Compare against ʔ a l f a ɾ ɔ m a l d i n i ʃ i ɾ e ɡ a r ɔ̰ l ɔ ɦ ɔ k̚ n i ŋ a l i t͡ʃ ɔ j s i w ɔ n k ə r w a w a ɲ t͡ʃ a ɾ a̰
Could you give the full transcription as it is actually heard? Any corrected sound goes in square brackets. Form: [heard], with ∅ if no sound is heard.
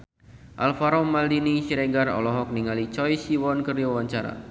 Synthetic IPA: ʔ a l f a ɾ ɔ m a l d i n i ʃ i ɾ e ɡ a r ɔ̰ l ɔ ɦ ɔ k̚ n i ŋ a l i t͡ʃ ɔ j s i w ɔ n k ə r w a w a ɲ t͡ʃ a ɾ a̰

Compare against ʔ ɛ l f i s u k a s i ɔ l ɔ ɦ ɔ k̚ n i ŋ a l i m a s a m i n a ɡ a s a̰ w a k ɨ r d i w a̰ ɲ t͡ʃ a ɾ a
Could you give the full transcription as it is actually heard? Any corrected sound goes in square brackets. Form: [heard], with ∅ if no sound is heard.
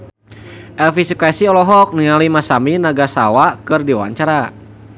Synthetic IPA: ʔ ɛ l f i s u k a s i ɔ l ɔ ɦ ɔ k̚ n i ŋ a l i m a s a m i n a ɡ a s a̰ w a k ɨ r d i w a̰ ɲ t͡ʃ a ɾ a

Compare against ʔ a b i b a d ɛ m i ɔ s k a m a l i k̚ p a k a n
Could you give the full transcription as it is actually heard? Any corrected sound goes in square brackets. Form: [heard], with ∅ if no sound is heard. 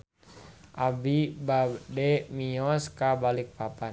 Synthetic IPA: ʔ a b i b a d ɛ m i ɔ s k a [b] a l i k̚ p a [p] a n

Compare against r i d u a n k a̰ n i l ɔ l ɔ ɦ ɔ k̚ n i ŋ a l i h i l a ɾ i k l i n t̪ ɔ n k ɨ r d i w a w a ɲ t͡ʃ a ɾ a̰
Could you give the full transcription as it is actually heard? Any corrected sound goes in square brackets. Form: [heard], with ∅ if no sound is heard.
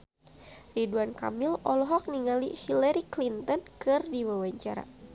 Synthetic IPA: r i d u a n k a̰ [m] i l ɔ l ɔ ɦ ɔ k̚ n i ŋ a l i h i l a ɾ i k l i n t̪ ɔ n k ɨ r d i w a w a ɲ t͡ʃ a ɾ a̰

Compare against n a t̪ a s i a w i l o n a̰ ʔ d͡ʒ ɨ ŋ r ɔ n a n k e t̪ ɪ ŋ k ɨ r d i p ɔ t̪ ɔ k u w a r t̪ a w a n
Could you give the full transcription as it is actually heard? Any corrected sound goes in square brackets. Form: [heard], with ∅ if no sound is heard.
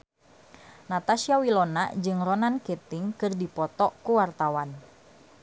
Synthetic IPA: n a t̪ a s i a w i l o n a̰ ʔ d͡ʒ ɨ ŋ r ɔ n a n k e t̪ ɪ ŋ k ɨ r d i p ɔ t̪ ɔ k u w a r t̪ a w a n

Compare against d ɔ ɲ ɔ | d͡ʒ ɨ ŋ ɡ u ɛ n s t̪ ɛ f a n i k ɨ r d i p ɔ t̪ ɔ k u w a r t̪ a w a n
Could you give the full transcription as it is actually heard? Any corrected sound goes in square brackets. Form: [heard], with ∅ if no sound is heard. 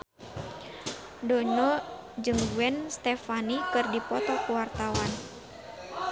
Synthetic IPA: d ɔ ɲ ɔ | d͡ʒ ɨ ŋ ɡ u ɛ n s t̪ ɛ f a n i k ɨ r d i p ɔ t̪ ɔ k u w a r t̪ a w a n

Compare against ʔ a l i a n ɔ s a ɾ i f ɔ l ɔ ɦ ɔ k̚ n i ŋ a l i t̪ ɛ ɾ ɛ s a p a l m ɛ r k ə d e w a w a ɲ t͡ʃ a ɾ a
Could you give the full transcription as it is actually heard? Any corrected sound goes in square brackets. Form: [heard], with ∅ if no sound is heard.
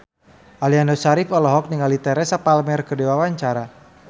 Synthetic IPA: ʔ a l i a n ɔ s a ɾ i f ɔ l ɔ ɦ ɔ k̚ n i ŋ a l i t̪ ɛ ɾ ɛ s a p a l m ɛ r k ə d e w a w a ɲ t͡ʃ a ɾ a

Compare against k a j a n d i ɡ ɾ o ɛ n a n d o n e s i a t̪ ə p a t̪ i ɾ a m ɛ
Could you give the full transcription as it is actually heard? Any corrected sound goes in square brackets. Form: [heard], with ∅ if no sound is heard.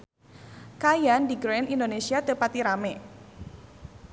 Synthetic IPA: k a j a n d i ɡ ɾ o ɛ n [i] n d o n e s i a t̪ ə p a t̪ i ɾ a m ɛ

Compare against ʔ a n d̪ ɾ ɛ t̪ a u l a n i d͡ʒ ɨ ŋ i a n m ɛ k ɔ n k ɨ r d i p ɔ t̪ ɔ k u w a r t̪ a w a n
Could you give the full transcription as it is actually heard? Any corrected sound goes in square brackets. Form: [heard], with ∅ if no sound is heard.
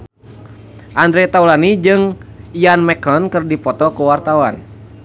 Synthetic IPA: ʔ a n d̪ ɾ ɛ t̪ a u l a n i d͡ʒ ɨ ŋ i a n m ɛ k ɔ n k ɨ r d i p ɔ t̪ ɔ k u w a r t̪ a w a n

